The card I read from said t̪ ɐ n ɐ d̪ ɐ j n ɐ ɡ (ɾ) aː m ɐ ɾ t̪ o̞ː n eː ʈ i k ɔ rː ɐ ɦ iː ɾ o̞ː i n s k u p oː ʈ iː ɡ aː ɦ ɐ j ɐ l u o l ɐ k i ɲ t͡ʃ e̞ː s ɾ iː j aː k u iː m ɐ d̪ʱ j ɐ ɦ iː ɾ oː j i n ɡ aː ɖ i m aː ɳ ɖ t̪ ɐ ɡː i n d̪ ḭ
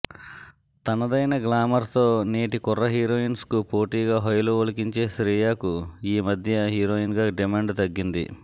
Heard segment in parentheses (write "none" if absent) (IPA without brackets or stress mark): l